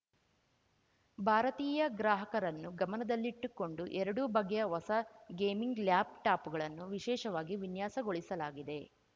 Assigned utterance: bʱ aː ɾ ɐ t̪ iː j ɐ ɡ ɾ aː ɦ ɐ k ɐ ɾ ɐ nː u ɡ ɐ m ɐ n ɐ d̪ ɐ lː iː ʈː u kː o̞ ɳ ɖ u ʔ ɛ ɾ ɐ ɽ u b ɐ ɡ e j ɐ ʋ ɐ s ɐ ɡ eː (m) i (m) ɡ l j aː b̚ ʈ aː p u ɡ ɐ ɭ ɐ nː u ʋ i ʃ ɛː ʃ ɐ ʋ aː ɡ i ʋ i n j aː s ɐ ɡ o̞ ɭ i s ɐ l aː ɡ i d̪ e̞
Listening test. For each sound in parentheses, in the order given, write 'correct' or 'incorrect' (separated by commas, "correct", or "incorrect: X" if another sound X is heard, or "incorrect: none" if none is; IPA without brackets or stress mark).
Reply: correct, incorrect: ŋ